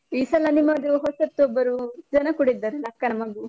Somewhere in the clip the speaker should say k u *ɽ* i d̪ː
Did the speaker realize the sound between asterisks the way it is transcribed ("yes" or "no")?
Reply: yes